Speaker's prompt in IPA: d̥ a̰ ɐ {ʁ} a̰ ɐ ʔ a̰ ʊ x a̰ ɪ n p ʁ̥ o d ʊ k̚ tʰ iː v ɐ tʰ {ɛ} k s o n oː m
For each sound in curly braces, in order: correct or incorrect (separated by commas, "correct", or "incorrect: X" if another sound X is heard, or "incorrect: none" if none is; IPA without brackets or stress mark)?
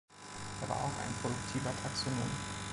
incorrect: v, incorrect: a